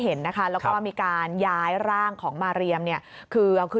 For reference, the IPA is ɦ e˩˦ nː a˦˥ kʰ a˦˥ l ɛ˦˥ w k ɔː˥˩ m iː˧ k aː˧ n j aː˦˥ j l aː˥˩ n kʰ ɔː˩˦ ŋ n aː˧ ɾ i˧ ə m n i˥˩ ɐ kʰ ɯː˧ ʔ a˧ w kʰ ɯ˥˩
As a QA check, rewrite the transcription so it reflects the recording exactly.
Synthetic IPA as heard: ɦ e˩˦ nː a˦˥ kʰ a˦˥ l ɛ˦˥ w k ɔː˥˩ m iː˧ k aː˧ n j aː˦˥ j ɾ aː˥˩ ŋ kʰ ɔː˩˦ ŋ m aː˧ ɾ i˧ ə m n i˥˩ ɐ kʰ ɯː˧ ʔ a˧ w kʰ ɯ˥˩

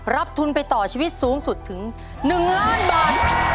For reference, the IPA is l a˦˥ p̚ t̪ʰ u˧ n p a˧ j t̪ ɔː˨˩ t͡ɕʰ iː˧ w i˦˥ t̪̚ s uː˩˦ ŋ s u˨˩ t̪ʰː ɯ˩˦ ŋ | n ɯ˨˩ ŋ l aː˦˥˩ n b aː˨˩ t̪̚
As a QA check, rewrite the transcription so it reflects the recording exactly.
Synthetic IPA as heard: ɾ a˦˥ p̚ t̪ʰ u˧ n p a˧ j t̪ ɔː˨˩ t͡ɕʰ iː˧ w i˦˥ t̪̚ s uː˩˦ ŋ s u˨˩ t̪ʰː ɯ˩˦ ŋ | n ɯ˨˩ ŋ l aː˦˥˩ n b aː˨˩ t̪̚

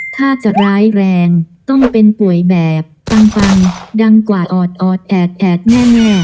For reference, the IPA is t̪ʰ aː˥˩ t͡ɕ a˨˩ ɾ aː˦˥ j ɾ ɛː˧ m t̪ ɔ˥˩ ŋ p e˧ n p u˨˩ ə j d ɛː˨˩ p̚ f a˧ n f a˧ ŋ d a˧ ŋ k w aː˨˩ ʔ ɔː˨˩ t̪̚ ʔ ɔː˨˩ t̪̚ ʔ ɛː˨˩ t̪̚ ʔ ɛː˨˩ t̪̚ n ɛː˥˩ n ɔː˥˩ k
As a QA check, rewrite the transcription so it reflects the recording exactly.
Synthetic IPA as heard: t̪ʰ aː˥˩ t͡ɕ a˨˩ ɾ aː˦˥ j ɾ ɛː˧ ŋ t̪ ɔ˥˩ ŋ p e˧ n p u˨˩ ə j b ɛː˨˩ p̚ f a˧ ŋ f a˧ ŋ d a˧ ŋ k w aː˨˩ ʔ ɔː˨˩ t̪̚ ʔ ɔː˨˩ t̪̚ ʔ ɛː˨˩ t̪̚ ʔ ɛː˨˩ t̪̚ n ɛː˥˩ n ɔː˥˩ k

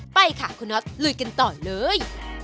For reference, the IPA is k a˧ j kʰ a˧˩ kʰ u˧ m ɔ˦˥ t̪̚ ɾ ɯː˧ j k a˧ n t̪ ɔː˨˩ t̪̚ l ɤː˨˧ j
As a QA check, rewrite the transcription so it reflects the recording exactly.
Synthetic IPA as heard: p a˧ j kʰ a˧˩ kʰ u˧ n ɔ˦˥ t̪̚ l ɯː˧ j k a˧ n t̪ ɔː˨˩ l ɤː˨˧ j

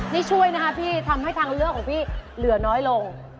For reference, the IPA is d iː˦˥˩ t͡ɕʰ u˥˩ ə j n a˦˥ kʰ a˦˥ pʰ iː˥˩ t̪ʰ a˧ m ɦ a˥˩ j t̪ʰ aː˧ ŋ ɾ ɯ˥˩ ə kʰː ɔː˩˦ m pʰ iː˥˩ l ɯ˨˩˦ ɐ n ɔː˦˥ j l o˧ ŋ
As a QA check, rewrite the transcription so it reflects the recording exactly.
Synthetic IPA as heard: n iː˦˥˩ t͡ɕʰ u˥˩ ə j n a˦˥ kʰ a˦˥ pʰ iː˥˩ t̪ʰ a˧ m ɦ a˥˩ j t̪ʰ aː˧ ŋ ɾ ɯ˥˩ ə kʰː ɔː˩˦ ŋ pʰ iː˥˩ l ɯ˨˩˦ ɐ n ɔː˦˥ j l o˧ ŋ

